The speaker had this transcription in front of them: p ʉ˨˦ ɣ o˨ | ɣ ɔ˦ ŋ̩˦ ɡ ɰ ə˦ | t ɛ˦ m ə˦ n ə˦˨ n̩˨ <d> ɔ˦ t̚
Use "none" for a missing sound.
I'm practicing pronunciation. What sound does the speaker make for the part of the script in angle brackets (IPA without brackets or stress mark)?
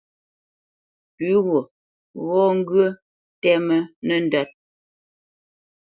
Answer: d